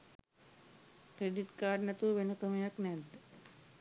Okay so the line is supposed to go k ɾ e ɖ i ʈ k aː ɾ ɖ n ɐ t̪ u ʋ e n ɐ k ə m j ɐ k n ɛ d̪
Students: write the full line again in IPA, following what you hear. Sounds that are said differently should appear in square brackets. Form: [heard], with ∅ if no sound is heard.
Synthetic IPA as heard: k ɾ e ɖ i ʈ k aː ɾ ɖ n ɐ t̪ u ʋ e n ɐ k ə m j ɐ k n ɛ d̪

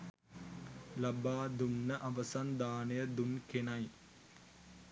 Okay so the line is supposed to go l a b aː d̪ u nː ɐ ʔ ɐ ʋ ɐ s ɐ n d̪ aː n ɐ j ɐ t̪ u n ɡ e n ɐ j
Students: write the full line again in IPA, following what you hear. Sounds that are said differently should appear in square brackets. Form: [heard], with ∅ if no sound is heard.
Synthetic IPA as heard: l [ɐ] b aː d̪ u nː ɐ ʔ ɐ ʋ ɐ s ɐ n d̪ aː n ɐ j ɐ [d̪] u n [k] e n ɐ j

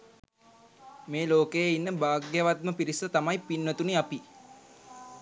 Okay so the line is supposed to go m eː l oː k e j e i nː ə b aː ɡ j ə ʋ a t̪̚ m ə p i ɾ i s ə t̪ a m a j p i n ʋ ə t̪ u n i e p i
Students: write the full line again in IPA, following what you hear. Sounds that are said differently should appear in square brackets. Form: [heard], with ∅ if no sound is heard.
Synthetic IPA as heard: m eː l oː k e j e i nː ə b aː ɡ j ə ʋ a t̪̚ m ə p i ɾ i s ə t̪ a m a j p i n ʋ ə t̪ u n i [a] p i

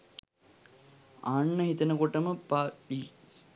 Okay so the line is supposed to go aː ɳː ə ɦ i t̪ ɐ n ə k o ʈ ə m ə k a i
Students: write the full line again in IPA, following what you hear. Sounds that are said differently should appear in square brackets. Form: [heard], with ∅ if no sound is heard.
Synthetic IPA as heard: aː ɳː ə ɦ i t̪ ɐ n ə k o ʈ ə m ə [p] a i

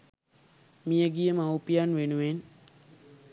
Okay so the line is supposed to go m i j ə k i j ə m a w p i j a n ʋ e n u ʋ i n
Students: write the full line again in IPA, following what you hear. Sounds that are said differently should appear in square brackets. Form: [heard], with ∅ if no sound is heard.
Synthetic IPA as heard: m i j ə [ɡ] i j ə m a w p i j a n ʋ e n u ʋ [e] n

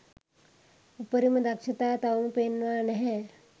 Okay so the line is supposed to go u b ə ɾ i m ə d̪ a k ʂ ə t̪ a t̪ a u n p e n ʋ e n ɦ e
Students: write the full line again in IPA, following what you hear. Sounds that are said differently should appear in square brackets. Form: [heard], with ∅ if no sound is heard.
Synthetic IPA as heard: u [p] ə ɾ i m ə d̪ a k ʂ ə t̪ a t̪ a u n p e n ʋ [a] n ɦ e

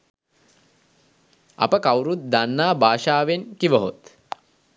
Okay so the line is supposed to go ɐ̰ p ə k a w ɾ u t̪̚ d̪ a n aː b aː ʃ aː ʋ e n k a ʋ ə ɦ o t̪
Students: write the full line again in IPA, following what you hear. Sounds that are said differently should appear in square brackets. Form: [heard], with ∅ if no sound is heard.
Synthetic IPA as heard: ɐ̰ p ə k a w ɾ u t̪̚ d̪ a [nː] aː b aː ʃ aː ʋ e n k [i] ʋ ə ɦ o t̪

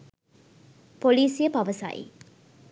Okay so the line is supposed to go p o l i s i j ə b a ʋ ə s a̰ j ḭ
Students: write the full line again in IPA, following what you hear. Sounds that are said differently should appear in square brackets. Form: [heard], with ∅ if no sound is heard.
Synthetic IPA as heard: p o l [iː] s i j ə [p] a ʋ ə s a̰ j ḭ

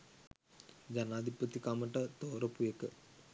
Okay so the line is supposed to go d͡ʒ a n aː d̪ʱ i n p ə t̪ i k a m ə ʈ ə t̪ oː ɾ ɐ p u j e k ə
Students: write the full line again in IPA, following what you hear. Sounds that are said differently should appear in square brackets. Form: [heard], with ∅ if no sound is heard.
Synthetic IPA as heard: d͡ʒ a n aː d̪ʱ i [∅] p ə t̪ i k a m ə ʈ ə t̪ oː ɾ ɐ p u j e k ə

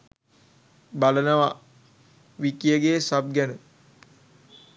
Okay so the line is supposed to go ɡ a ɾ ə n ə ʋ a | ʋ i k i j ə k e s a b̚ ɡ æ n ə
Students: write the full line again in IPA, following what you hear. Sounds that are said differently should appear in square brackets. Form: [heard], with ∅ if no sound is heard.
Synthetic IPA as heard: [b] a [l] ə n ə ʋ a | ʋ i k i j ə [ɡ] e s a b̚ ɡ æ n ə

